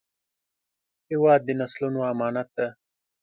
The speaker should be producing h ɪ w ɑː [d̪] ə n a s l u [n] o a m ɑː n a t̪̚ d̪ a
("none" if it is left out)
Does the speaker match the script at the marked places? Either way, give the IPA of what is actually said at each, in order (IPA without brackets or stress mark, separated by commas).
d̪ː, n